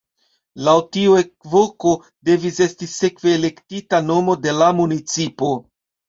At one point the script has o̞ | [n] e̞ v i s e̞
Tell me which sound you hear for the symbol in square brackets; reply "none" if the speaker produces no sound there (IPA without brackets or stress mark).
d